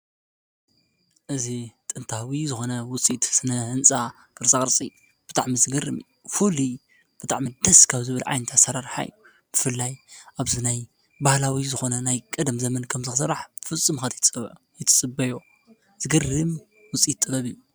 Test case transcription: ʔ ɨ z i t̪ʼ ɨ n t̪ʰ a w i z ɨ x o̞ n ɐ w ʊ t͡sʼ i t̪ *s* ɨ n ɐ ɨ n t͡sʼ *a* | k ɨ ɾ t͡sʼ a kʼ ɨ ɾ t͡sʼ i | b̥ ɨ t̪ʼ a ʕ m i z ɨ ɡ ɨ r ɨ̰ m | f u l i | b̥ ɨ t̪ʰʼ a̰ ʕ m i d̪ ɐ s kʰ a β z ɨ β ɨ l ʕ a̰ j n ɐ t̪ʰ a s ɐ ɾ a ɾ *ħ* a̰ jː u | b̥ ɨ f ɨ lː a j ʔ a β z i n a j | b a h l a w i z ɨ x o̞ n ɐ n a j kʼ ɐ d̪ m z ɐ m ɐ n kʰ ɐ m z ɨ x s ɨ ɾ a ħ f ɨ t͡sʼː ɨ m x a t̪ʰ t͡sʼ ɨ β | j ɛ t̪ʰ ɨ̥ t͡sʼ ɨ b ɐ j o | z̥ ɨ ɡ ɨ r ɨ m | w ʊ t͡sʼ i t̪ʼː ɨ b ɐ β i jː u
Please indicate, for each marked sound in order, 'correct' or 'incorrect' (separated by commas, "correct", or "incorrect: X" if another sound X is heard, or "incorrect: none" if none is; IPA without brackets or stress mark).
correct, correct, correct